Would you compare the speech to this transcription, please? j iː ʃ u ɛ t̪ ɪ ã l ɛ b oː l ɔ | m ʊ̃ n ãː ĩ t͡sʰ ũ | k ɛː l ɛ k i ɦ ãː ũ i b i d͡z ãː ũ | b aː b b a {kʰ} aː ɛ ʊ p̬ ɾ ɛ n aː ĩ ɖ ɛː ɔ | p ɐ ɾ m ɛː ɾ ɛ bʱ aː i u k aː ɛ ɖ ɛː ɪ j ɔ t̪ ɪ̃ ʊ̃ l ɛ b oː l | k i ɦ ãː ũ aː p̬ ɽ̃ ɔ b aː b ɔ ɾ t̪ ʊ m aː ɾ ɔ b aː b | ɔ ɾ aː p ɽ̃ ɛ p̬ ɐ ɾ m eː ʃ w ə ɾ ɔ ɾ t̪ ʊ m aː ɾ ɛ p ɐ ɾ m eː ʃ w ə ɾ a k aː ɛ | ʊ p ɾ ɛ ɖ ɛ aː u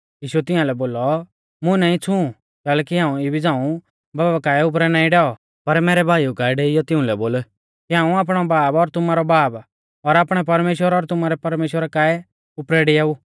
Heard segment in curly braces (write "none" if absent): k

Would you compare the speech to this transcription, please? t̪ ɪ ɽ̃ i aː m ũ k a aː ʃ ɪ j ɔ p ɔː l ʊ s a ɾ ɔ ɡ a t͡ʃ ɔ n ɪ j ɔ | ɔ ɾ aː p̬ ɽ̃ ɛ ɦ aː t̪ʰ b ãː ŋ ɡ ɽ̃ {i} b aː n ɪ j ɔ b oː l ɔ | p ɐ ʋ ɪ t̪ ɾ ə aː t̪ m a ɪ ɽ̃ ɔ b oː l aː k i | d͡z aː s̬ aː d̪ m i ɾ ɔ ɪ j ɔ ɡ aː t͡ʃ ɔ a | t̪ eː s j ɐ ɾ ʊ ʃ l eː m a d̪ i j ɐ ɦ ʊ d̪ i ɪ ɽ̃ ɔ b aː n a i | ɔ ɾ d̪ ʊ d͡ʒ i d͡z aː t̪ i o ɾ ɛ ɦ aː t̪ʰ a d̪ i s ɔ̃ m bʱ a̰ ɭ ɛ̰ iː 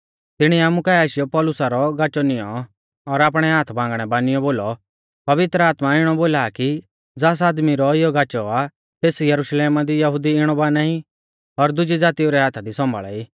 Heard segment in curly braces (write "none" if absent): ɛ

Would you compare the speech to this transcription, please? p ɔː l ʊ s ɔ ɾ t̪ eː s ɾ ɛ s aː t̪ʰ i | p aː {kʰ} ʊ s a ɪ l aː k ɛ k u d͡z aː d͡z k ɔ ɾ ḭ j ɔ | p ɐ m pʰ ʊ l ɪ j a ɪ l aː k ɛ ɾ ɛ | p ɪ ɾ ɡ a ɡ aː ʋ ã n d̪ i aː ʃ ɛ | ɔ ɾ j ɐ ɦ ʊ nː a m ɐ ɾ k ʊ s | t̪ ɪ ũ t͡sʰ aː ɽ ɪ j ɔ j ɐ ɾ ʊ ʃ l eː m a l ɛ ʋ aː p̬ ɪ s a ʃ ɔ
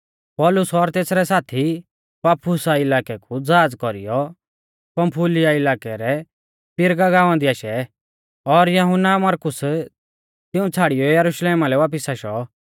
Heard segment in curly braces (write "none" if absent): pʰ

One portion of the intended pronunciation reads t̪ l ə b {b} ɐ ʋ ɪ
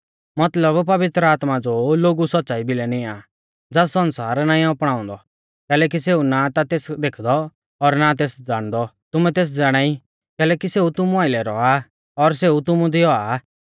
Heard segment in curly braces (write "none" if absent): p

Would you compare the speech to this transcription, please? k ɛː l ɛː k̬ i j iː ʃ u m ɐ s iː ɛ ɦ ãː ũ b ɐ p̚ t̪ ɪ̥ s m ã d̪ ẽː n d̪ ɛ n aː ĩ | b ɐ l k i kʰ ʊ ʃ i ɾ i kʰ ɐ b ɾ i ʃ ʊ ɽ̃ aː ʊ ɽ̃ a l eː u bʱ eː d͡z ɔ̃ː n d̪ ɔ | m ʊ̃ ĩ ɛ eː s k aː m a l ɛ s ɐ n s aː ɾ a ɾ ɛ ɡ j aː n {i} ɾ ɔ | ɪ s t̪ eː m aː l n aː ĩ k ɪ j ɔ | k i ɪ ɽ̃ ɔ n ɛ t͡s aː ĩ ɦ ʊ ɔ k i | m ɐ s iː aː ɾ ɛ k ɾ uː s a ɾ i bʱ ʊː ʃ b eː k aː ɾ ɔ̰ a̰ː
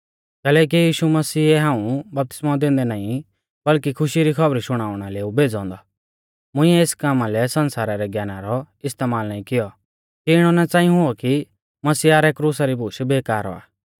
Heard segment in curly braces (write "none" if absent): a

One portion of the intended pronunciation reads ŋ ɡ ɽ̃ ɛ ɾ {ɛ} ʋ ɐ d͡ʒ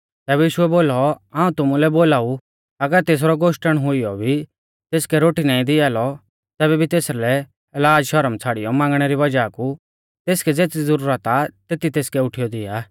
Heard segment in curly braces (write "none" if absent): i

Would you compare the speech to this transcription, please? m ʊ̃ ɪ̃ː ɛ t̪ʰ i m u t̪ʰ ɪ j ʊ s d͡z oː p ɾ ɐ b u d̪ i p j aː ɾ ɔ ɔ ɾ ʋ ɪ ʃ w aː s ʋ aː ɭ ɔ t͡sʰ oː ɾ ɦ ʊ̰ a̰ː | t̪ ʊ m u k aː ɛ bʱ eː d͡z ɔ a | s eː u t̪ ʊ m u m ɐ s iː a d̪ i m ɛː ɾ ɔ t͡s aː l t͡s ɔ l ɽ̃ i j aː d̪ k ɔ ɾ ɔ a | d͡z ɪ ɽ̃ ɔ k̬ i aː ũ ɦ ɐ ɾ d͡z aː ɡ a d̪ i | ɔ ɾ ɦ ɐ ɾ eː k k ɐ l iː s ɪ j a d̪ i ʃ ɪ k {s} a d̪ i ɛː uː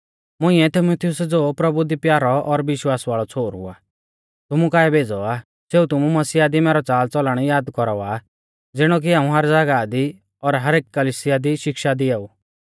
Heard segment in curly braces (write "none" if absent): ʃ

